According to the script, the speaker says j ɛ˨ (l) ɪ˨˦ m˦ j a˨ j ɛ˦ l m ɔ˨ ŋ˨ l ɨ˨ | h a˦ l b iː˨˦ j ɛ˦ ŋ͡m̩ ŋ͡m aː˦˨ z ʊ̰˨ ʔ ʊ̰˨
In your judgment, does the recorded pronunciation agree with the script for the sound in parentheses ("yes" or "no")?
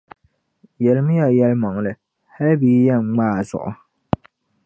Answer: yes